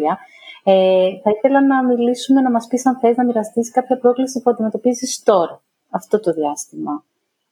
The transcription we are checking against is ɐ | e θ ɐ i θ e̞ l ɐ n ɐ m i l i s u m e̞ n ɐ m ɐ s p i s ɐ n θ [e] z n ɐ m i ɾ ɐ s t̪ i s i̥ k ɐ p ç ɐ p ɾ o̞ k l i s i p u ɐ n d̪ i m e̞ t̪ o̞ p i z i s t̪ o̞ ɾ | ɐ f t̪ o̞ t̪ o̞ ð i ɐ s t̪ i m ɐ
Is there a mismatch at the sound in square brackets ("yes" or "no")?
no